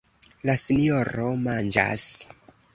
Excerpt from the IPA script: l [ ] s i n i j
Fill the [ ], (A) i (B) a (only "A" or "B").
B